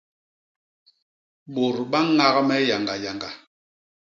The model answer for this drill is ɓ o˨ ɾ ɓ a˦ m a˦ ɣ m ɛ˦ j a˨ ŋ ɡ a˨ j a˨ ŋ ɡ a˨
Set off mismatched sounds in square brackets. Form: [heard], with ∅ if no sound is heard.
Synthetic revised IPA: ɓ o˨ ɾ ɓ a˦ [ŋ] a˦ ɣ m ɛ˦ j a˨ ŋ ɡ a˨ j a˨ ŋ ɡ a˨